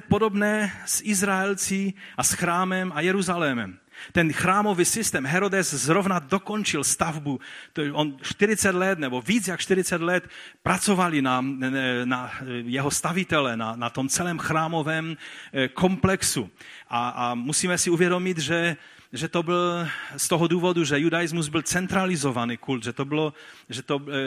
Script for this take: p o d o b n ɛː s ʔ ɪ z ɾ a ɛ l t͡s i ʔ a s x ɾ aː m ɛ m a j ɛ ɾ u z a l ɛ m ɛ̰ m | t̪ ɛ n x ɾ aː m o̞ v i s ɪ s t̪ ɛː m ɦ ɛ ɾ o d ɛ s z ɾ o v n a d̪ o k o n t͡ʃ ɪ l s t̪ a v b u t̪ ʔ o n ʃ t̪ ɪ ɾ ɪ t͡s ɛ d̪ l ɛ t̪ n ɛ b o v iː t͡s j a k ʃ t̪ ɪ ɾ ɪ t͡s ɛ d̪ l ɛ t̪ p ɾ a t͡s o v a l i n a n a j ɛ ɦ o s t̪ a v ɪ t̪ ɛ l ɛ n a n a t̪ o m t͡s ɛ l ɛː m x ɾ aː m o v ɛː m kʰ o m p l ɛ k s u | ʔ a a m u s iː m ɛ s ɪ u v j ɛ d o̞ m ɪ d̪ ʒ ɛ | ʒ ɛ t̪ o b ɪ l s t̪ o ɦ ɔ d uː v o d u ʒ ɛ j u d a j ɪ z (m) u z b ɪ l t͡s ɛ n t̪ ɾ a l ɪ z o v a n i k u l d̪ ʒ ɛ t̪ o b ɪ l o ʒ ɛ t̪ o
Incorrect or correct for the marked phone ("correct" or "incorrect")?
correct